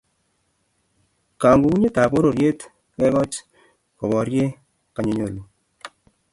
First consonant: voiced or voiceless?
voiceless